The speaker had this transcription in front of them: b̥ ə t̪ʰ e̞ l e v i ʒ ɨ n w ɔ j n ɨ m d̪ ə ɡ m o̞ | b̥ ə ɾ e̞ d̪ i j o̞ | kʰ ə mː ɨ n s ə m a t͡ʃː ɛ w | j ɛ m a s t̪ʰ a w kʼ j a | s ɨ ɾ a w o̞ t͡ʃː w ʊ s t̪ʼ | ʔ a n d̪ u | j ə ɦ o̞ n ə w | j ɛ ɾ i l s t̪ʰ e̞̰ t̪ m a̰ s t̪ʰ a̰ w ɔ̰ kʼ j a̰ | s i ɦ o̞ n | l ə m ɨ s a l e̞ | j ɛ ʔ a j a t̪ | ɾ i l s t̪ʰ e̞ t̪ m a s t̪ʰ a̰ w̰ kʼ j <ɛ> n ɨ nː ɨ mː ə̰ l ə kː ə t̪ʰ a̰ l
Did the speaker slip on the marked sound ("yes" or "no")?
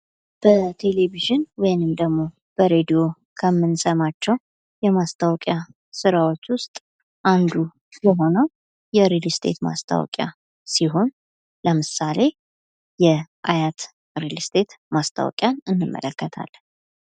yes